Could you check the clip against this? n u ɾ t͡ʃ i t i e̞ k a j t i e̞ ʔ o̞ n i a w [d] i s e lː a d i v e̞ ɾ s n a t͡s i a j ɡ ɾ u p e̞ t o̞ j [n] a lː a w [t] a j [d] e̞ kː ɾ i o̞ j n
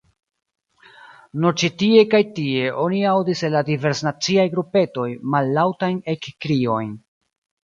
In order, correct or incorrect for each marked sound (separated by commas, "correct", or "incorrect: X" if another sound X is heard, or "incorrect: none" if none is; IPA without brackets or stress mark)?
correct, incorrect: m, correct, incorrect: n